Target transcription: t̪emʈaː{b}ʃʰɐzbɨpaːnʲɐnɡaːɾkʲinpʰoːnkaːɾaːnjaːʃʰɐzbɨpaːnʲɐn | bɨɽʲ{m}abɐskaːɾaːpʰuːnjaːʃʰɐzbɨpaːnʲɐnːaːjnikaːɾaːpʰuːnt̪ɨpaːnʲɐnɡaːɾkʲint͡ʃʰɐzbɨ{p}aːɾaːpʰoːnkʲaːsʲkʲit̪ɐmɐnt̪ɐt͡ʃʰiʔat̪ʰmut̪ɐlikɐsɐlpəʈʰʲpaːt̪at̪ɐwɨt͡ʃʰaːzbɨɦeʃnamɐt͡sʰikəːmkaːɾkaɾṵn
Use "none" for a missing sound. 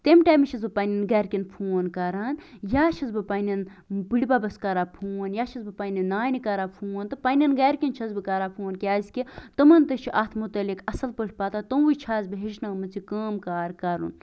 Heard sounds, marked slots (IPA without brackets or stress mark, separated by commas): m, b, k